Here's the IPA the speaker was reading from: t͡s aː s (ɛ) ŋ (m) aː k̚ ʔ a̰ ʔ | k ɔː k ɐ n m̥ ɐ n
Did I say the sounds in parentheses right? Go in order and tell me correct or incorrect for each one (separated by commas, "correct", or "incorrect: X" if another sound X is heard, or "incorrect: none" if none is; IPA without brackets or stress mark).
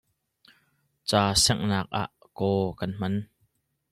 correct, incorrect: n